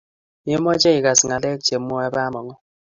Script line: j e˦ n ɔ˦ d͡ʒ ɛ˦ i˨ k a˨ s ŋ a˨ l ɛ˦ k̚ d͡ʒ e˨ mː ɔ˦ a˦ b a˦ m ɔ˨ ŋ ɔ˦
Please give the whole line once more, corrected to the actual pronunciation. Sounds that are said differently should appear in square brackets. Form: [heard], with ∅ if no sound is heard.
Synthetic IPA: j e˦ [m] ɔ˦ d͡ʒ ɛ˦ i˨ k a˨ s ŋ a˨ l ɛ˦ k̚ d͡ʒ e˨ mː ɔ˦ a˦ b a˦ m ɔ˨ ŋ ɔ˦